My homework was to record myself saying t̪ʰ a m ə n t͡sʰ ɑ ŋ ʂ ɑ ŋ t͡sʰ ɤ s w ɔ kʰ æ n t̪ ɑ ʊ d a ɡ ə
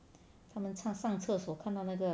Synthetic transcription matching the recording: t̪ʰ a m ə n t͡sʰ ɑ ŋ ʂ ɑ ŋ t͡sʰ ɤ s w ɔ kʰ a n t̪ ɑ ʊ n a ɡ ə